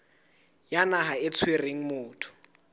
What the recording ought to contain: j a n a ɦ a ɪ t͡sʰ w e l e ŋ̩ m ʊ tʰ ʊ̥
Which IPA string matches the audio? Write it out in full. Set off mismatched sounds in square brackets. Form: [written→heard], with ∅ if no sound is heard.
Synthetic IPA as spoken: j a n a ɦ a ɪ t͡sʰ w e [l→r] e ŋ̩ m [ʊ→ʊː] tʰ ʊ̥